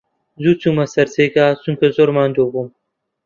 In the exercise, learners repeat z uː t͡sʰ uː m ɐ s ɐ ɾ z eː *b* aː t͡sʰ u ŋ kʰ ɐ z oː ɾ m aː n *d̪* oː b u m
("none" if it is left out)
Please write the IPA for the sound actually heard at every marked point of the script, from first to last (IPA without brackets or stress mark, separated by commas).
ɡ, d̪